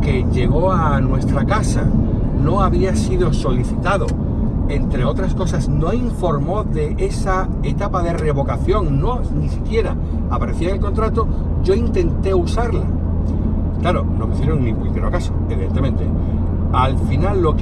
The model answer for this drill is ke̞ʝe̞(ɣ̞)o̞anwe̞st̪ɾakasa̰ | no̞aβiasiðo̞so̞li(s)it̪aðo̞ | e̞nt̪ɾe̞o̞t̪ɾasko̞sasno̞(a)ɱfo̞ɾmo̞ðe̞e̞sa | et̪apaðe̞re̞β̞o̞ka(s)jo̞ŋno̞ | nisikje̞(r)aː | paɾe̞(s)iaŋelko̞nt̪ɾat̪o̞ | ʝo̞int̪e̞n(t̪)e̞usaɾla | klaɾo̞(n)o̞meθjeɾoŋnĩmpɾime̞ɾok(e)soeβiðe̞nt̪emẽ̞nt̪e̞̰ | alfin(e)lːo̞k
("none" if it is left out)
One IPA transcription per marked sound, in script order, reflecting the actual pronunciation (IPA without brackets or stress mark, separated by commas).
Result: ɣ̞, θ, i, θ, ɾ, θ, t̪, n, a, a